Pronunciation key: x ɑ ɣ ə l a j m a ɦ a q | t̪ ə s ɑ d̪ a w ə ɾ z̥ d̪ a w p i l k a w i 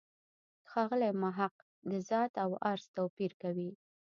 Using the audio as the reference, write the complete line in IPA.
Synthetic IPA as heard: x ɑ ɣ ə l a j m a ɦ a q | d̪ ə z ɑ t̪ a w a ɾ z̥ t̪ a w p i ɾ k a w i